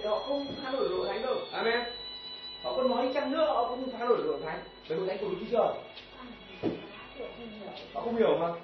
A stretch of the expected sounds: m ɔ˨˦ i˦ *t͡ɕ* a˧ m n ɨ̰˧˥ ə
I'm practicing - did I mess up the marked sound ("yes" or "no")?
no